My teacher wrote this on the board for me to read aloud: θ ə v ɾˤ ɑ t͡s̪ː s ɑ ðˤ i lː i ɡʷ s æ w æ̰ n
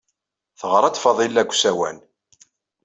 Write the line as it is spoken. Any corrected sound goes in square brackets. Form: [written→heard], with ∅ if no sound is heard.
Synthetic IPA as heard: θ ə [v→ʁ] ɾˤ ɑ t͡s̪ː [s→f] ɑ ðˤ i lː [i→æ] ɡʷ s æ w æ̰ n